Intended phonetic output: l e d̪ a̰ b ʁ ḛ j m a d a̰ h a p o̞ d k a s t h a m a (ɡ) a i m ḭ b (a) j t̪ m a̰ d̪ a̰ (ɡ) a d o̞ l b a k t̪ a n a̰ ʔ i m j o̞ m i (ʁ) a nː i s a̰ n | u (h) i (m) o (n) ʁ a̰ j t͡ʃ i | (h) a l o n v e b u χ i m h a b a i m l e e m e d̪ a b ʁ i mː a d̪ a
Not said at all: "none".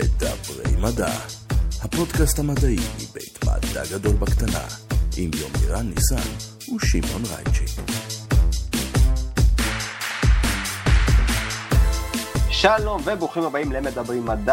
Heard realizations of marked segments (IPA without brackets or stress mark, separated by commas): d, e, ɡ, ʁ, ʃ, m, n, ʃ